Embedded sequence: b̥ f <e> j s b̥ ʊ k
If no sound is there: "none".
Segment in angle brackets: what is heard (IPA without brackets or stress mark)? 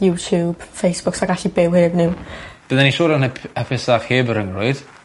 e